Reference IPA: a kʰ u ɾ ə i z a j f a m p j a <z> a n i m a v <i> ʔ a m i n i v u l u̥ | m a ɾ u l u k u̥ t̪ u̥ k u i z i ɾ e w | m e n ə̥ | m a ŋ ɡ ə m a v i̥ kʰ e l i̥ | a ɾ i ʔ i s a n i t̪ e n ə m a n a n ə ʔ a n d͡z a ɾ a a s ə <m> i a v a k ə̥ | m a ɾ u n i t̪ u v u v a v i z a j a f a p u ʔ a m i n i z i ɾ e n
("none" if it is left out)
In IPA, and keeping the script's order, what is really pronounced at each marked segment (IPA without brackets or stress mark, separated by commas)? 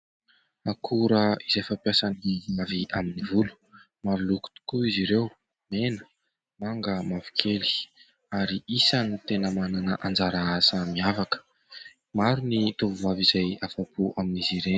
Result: s, i, m